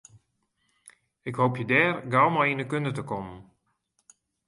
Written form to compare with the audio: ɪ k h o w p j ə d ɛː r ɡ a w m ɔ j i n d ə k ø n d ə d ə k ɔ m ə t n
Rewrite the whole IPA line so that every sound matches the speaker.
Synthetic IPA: ɪ k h o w p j ə d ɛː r ɡ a w m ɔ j i n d ə k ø n d ə t ə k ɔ m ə n